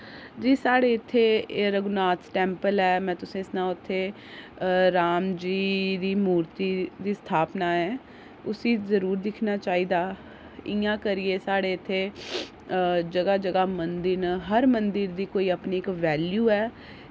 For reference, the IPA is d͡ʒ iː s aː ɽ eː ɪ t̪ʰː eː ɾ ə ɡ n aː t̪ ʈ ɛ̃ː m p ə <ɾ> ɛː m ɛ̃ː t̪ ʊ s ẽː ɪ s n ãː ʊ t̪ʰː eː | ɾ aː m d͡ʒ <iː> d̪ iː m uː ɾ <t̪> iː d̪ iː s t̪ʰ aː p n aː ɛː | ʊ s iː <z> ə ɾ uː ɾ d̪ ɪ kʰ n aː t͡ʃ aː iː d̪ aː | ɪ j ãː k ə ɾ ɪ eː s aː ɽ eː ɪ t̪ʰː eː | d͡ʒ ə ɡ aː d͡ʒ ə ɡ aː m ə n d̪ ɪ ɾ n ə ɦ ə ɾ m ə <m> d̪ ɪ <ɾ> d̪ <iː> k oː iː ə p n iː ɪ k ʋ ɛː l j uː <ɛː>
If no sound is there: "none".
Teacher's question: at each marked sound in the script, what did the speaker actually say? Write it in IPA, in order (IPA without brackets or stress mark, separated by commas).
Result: l, iː, t̪, z, n, ɾ, iː, ɛː